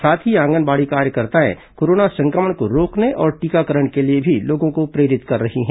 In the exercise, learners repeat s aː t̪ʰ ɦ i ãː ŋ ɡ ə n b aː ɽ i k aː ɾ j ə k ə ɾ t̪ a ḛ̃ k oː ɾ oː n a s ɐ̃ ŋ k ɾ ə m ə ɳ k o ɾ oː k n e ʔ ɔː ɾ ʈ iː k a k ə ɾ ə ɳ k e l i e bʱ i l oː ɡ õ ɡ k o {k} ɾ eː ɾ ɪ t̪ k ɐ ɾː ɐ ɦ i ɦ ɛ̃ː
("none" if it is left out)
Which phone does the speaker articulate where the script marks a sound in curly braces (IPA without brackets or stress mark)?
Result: p